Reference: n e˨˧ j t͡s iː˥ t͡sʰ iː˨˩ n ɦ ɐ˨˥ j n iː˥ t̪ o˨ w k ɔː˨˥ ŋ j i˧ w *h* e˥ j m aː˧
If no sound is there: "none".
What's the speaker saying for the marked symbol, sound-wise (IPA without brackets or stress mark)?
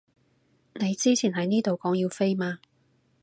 f